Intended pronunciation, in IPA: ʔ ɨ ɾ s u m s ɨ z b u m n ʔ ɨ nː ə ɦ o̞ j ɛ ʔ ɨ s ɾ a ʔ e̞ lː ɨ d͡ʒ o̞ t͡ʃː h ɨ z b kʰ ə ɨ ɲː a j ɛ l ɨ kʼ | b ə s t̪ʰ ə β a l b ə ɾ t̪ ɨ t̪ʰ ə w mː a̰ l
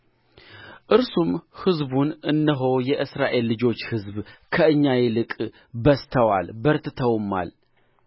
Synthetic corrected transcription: ʔ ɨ ɾ s u m h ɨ z b u n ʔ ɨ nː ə ɦ o̞ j ɛ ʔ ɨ s ɾ a ʔ e̞ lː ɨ d͡ʒ o̞ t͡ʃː h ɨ z b kʰ ə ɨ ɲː a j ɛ l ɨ kʼ | b ə s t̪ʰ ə w a l b ə ɾ t̪ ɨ t̪ʰ ə w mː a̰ l